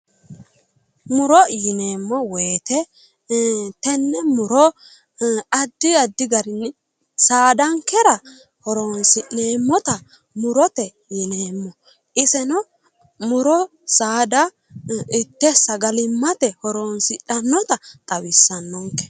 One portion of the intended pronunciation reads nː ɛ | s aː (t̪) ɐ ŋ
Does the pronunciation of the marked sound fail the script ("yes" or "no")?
yes